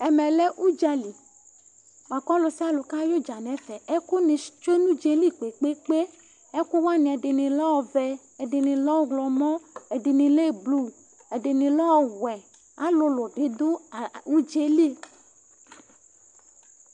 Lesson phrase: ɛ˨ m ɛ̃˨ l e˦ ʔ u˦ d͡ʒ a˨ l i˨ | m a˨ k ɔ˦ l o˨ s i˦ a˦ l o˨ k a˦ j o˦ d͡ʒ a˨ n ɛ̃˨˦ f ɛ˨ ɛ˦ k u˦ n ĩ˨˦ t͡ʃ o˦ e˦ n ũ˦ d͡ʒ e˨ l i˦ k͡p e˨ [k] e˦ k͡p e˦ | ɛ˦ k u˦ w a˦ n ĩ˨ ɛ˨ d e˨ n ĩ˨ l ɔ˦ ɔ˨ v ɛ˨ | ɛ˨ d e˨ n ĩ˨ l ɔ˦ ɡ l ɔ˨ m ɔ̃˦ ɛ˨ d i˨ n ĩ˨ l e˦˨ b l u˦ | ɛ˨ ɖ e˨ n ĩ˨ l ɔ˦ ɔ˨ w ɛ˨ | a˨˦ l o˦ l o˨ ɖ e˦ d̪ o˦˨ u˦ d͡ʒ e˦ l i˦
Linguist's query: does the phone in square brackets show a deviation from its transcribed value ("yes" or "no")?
yes